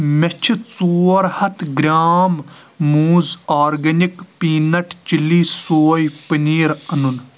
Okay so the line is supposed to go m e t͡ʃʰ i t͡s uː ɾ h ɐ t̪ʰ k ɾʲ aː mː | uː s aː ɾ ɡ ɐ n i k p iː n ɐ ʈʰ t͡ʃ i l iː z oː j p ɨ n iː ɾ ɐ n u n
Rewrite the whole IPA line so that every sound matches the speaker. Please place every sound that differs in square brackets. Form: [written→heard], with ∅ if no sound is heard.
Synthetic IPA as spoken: m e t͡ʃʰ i t͡s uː ɾ h ɐ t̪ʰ [k→ɡ] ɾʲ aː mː | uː [s→z] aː ɾ ɡ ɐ n i k p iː n ɐ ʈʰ t͡ʃ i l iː [z→s] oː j p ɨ n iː ɾ ɐ n u n